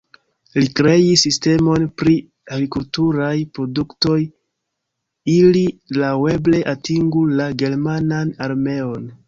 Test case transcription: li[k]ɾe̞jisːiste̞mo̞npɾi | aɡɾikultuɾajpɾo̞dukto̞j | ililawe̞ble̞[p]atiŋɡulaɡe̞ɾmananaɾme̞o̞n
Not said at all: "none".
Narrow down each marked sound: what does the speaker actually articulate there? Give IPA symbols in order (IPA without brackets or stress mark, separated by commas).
k, ʔ